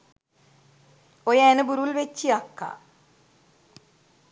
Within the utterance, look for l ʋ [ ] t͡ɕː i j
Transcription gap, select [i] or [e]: e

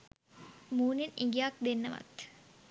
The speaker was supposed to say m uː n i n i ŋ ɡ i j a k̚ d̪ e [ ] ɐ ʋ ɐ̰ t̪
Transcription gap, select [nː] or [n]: nː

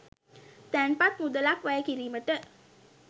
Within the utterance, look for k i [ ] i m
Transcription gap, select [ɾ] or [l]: ɾ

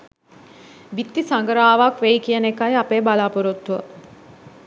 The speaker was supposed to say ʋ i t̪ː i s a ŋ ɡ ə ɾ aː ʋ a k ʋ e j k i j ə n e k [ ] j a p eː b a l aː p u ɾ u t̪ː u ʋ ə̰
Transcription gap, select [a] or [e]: a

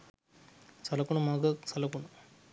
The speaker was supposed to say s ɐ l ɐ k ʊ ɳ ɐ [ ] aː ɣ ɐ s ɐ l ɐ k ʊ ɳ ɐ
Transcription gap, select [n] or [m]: m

